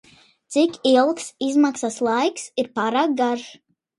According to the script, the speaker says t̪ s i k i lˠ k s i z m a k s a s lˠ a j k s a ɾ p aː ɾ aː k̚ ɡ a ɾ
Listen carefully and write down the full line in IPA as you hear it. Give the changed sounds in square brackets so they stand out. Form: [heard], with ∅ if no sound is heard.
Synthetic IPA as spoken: t̪ s i k i lˠ k s i z m a k s a s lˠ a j k s [i] ɾ p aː ɾ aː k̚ ɡ a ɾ